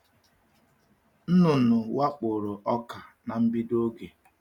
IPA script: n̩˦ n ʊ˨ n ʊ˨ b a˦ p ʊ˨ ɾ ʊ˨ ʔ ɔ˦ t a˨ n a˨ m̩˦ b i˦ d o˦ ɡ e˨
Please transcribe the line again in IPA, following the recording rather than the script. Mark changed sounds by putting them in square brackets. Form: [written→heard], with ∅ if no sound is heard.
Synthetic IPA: n̩˦ n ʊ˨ n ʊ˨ [b→w] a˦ [p→k͡p] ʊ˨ ɾ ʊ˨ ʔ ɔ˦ [t→k] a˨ n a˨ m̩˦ b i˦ d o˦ ɡ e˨